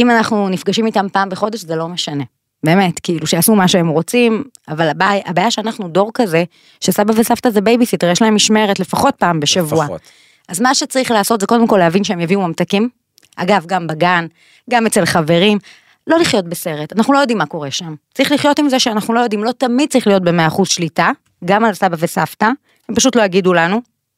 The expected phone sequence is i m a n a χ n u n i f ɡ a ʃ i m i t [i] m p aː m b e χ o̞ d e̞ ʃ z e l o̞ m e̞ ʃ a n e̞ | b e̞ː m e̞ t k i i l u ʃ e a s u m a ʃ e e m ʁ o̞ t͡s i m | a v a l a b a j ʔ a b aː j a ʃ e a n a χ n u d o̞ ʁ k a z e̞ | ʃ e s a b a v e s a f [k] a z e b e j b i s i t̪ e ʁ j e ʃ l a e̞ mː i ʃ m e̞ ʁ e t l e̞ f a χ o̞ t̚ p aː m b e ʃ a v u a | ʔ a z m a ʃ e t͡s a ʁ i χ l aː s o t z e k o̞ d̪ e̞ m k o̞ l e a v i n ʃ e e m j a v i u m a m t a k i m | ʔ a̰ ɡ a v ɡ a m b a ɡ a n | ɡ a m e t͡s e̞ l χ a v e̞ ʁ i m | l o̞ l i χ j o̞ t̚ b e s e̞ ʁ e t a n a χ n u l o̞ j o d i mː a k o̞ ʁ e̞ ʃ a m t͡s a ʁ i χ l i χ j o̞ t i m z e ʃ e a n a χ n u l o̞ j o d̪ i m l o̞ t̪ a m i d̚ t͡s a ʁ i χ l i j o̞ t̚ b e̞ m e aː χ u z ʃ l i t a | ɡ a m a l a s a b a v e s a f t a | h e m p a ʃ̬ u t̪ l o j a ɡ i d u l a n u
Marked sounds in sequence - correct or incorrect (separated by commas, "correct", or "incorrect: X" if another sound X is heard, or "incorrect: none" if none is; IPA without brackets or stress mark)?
incorrect: a, incorrect: t